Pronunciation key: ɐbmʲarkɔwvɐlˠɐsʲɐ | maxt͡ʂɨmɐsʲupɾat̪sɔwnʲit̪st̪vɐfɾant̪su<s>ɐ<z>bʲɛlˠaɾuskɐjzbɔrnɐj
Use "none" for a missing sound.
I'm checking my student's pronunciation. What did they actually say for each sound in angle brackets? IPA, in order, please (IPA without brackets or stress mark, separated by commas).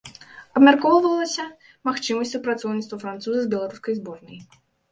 z, z